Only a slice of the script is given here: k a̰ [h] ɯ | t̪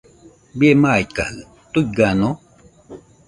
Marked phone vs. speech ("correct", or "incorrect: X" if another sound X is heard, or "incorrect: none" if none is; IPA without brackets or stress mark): correct